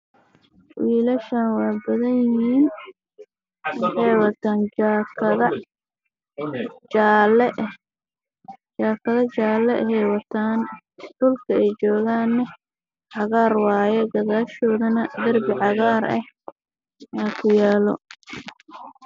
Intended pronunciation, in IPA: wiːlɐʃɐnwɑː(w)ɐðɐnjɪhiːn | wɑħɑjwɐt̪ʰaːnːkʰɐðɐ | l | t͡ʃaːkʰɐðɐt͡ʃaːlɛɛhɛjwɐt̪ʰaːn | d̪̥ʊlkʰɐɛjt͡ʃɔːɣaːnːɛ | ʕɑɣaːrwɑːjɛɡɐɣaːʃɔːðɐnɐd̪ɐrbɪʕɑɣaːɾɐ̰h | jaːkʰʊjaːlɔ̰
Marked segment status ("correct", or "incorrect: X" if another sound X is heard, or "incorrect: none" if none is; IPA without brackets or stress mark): incorrect: b